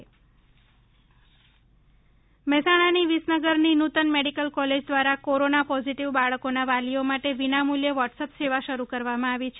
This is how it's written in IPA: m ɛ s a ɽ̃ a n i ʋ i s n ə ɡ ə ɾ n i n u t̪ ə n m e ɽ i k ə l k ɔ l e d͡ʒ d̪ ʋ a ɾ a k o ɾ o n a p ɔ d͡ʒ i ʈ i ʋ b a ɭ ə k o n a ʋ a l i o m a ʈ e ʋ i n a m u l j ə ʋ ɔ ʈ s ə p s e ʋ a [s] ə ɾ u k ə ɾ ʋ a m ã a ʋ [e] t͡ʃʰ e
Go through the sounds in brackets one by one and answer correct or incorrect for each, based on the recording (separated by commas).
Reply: incorrect, incorrect